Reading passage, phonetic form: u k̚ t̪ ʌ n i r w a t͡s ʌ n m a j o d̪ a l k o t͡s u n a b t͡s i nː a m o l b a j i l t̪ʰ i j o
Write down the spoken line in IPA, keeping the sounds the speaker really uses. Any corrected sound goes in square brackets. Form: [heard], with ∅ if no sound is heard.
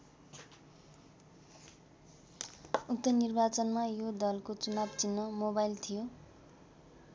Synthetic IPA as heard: u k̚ t̪ ʌ n i r [b] a t͡s ʌ n m a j o d̪ [ʌ] l k o t͡s u n a b t͡s i nː [ʌ] m o [∅] b a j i l t̪ʰ i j o